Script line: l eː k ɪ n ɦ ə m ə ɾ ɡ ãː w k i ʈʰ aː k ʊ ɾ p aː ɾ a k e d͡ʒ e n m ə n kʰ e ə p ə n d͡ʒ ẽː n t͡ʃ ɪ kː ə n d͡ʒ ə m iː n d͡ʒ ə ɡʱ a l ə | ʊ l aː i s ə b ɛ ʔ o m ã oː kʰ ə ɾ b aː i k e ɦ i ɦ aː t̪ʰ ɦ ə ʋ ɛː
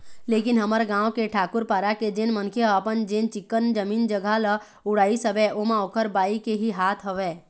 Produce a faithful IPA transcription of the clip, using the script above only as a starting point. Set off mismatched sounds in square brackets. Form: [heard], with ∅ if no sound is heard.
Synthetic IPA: l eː k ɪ n ɦ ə m ə ɾ ɡ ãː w k [e] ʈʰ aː k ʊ ɾ p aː ɾ a k e d͡ʒ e n m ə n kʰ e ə p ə n d͡ʒ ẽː n t͡ʃ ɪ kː ə n d͡ʒ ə m iː n d͡ʒ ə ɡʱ a l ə | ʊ [ɽ] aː i s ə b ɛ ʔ o m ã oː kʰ ə ɾ b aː i k e ɦ i ɦ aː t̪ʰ ɦ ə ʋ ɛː